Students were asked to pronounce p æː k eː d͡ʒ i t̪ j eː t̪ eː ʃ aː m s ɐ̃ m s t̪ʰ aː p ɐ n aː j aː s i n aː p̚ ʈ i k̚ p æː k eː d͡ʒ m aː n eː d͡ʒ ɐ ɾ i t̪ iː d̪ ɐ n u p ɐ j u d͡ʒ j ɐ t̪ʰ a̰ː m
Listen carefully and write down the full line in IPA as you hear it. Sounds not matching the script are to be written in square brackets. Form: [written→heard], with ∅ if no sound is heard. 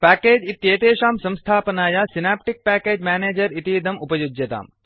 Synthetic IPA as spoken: p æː k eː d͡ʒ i t̪ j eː t̪ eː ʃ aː m s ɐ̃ m s t̪ʰ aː p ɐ n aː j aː s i n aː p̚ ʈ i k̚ p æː k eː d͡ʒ m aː n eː d͡ʒ ɐ ɾ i t̪ iː d̪ ɐ [n→m] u p ɐ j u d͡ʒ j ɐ [t̪ʰ→t̪] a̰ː m